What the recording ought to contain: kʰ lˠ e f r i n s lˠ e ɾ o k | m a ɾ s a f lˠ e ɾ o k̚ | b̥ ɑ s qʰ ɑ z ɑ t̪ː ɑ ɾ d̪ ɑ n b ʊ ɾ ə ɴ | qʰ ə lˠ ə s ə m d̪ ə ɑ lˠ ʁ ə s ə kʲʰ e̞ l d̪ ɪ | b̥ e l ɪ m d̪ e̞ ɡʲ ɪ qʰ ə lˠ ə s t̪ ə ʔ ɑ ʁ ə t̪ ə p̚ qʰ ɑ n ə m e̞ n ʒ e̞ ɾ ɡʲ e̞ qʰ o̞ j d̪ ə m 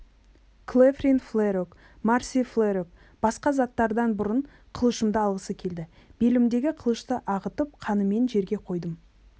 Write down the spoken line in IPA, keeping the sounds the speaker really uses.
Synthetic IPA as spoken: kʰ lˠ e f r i n f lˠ e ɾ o k | m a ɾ s i f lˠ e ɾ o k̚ | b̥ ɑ s q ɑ z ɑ t̪ː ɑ ɾ d̪ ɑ n b ʊ ɾ ə ɴ | qʰ ə lˠ ə ʃ ə m d̪ ə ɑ lˠ ʁ ə s ə kʲʰ e̞ l d̪ ɪ | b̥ e l ɪ m d̪ e̞ ɡʲ ɪ qʰ ə lˠ ə ʃ t̪ ə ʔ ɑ ʁ ə t̪ ə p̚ qʰ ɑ n ə m e̞ n ʒ e̞ ɾ ɡʲ e̞ qʰ o̞ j d̪ ə m

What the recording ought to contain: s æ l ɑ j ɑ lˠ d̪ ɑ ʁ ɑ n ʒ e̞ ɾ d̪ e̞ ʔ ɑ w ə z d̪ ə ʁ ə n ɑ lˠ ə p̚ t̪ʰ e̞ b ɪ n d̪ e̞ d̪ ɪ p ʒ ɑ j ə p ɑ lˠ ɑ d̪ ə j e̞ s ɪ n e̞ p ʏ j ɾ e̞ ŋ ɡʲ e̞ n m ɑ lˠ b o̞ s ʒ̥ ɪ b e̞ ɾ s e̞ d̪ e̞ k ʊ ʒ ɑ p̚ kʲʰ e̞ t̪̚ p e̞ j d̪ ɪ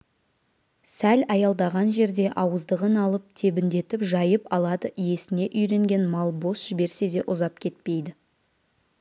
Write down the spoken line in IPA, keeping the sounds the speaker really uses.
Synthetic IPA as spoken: s æ l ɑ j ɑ lˠ d̪ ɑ ʁ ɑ n ʒ e̞ ɾ d̪ e̞ ʔ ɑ w ə z d̪ ə ʁ ə n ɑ lˠ ə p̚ t̪ʰ e̞ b ɪ n d̪ e̞ t̪ ɪ p ʒ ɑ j ə p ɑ lˠ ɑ d̪ ə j e̞ s ɪ n e̞ ʔ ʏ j ɾ e̞ ŋ ɡʲ e̞ n m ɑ lˠ b o̞ s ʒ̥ ɪ b e̞ ɾ s e̞ d̪ e̞ ʔ ʊ z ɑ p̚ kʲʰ e̞ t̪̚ p e̞ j d̪ ɪ

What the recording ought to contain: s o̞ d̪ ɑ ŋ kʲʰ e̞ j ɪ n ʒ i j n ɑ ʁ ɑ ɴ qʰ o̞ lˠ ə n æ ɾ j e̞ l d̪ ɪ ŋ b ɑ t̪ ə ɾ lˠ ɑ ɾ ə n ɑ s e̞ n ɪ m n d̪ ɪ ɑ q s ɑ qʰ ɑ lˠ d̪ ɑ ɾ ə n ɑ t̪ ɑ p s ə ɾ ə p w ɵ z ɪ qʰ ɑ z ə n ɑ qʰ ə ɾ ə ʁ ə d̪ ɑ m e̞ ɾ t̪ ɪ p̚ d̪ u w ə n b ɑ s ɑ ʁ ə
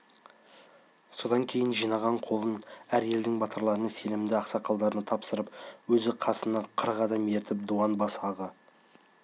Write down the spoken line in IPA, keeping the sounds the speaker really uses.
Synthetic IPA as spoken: s o̞ d̪ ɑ ŋ kʲʰ e̞ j ɪ n ʒ i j n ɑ ʁ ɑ ɴ qʰ o̞ lˠ ə n æ ɾ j e̞ l d̪ ɪ ŋ b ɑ t̪ ə ɾ lˠ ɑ ɾ ə n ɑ s e̞ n ɪ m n d̪ ɪ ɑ q s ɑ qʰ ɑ lˠ d̪ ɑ ɾ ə n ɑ t̪ʰ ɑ p s ə ɾ ə p w ɵ z ɪ qʰ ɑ s ə n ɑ qʰ ə ɾ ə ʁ ɑ d̪ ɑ m e̞ ɾ t̪ ɪ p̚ d̪ u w ɑ n b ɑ s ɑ ʁ ə

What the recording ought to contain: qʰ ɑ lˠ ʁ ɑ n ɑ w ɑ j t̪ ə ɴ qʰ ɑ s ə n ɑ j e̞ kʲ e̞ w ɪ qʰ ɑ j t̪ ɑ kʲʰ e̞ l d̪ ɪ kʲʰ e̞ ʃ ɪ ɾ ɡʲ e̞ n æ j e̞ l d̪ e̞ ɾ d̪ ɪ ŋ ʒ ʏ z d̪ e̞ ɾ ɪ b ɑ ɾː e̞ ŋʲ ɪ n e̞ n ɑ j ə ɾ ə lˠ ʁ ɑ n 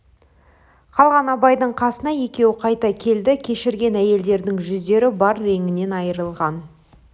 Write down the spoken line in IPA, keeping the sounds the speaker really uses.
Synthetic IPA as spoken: qʰ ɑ lˠ ʁ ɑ n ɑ b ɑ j d̪ ə ɴ qʰ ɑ s ə n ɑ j e̞ kʲ e̞ w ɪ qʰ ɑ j t̪ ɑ kʲʰ e̞ l d̪ ɪ kʲʰ e̞ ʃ ɪ ɾ ɡʲ e̞ n æ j e̞ l d̪ e̞ ɾ d̪ ɪ ŋ ʒ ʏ z d̪ e̞ ɾ ɪ b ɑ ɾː e̞ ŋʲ ɪ n e̞ n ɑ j ə ɾ ə lˠ ʁ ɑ n

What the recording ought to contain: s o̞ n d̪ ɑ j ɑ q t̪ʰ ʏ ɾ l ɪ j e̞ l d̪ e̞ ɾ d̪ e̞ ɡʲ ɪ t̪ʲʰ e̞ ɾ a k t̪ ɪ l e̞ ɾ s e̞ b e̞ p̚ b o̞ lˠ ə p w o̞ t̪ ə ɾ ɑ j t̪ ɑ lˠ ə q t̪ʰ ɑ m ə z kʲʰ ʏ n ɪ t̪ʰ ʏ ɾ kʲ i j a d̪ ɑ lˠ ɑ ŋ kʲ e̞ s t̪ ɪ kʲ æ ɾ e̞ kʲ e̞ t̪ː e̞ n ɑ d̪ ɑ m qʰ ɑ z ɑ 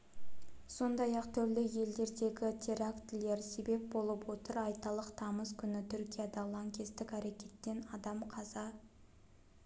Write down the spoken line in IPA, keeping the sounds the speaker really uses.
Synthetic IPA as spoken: s o̞ n d̪ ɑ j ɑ q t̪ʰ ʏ ɾ l ɪ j e̞ l d̪ e̞ ɾ d̪ e̞ ɡʲ ɪ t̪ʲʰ e̞ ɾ a k t̪ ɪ l e̞ ɾ s e̞ b e̞ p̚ b o̞ lˠ ə p w o̞ t̪ ə ɾ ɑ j t̪ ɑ lˠ ə q t̪ʰ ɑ m ə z kʲʰ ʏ n ɪ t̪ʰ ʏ ɾ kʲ i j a d̪ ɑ lˠ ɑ ŋ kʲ e̞ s t̪ ɪ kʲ æ ɾ e̞ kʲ e̞ t̪ː e̞ n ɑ d̪ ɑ m qʰ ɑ z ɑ

